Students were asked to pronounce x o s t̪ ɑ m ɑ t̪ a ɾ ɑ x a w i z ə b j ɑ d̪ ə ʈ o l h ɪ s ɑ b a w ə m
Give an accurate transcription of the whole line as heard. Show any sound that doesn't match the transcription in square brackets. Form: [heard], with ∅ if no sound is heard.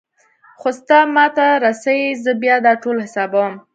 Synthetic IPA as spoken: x o s t̪ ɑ m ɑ t̪ a ɾ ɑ [s] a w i z ə b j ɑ d̪ [ɑ] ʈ o l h ɪ s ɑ b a w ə m